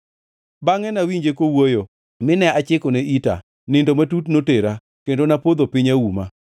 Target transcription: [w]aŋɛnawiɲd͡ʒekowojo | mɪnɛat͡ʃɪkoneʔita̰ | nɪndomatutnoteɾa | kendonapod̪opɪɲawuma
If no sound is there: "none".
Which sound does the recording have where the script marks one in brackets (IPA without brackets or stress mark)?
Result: b